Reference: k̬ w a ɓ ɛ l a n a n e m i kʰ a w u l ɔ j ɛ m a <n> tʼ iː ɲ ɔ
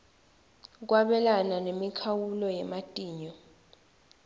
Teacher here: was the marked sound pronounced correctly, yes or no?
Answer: no